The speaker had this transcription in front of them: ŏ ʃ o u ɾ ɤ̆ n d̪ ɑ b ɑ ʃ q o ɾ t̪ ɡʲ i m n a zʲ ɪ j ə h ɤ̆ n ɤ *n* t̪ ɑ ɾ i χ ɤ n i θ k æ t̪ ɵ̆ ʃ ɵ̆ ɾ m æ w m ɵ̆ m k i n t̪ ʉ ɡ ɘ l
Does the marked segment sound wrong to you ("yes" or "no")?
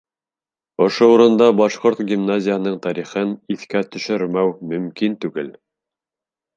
yes